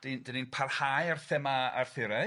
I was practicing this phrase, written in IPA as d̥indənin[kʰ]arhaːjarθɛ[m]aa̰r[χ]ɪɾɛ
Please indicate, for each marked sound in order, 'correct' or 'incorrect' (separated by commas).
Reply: incorrect, correct, incorrect